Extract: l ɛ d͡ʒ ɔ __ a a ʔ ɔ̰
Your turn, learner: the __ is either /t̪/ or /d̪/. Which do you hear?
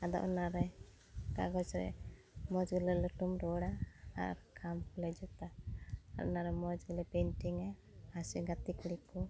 t̪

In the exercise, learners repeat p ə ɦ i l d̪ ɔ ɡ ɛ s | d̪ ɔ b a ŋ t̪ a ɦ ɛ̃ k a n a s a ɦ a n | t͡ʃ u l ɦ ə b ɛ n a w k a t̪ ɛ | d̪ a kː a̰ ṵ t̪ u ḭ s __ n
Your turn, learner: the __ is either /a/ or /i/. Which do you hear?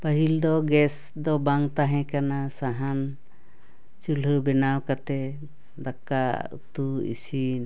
i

